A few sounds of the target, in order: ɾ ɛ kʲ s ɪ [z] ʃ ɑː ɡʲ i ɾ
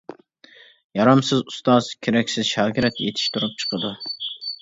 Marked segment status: correct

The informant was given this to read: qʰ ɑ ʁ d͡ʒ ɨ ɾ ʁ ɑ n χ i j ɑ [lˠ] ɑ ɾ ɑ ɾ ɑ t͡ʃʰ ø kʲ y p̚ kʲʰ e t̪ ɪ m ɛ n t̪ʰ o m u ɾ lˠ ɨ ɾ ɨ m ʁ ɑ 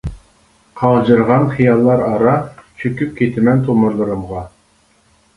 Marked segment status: incorrect: lˠː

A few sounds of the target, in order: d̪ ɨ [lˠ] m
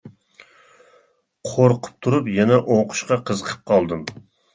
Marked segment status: incorrect: none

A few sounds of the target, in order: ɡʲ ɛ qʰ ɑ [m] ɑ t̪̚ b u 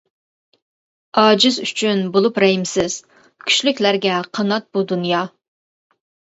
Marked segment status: incorrect: n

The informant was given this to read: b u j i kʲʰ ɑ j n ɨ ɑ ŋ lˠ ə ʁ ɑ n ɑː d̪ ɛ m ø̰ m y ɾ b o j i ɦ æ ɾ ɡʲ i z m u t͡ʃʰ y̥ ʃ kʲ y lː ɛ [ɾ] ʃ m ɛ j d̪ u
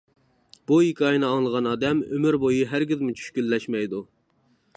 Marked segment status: incorrect: none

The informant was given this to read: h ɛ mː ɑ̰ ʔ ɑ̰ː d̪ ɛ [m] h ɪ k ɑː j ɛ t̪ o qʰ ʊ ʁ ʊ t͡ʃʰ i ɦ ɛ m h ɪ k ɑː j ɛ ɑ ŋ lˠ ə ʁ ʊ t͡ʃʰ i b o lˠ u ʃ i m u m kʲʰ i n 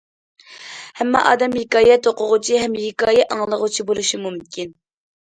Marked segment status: correct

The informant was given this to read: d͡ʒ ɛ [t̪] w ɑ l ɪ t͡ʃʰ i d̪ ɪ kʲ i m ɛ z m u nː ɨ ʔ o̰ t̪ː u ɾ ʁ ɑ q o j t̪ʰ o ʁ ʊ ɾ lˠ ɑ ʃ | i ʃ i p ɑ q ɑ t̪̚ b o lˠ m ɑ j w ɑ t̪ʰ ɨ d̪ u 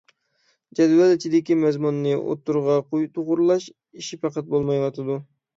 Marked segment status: incorrect: d̪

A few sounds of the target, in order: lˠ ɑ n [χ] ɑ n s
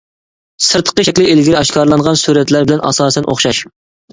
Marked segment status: incorrect: ʁ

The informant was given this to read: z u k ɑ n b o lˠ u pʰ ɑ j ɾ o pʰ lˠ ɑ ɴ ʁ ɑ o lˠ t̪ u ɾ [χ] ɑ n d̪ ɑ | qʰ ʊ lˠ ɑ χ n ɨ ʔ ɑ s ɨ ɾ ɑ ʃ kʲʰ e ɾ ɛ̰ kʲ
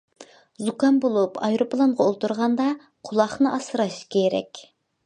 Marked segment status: incorrect: ʁ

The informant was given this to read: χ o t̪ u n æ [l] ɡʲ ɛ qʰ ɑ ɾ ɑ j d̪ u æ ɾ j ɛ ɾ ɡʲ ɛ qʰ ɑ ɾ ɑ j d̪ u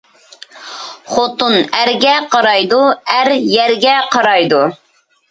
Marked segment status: incorrect: ɾ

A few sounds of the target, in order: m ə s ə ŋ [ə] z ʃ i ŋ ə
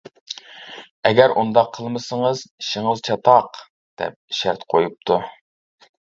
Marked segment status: correct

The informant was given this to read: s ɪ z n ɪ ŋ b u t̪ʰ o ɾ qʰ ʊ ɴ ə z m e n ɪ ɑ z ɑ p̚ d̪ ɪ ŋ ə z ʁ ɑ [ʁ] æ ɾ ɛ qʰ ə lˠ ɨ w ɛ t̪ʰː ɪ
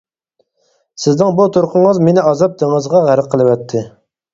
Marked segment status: correct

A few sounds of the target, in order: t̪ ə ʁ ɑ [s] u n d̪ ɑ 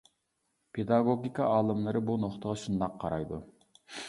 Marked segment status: incorrect: ʃ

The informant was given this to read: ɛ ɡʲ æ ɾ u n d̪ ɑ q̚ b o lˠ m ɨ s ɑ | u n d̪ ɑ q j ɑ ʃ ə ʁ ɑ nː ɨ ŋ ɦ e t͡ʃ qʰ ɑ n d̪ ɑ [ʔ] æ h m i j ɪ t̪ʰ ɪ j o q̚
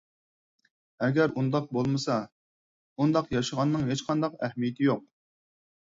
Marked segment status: incorrect: q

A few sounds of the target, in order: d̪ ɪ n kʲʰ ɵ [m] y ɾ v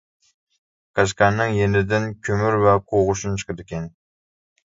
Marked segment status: correct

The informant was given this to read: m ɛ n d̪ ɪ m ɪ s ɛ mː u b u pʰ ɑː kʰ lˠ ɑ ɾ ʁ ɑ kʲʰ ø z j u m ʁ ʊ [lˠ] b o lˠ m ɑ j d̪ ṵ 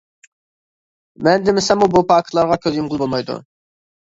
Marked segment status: correct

